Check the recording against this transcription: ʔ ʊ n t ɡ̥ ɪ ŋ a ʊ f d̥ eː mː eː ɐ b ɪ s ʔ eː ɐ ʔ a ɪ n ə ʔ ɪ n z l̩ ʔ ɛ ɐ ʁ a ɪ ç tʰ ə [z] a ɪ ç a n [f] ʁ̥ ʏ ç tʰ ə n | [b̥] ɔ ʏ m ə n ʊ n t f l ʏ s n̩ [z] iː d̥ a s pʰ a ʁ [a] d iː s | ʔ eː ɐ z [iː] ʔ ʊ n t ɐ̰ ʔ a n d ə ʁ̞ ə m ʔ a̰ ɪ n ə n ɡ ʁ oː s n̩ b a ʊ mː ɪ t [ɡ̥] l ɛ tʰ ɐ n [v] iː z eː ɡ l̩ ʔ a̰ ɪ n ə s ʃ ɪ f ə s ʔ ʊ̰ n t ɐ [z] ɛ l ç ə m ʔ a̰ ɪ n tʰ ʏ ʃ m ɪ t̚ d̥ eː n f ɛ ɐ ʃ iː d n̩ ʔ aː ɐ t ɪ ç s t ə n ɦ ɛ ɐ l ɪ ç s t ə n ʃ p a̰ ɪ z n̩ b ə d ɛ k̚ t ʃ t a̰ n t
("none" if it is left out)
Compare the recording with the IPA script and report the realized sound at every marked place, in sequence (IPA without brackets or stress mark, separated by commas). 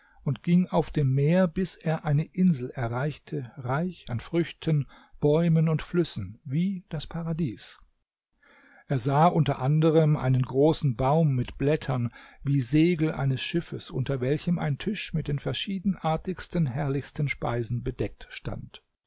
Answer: ʁ, f, b̥, v, a, aː, b̥, v, v